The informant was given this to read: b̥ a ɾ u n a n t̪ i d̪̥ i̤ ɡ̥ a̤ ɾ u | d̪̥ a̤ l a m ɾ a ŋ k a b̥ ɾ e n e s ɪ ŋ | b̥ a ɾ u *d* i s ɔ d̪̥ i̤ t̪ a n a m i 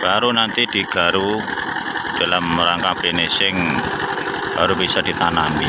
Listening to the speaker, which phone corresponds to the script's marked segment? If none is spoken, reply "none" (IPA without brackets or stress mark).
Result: b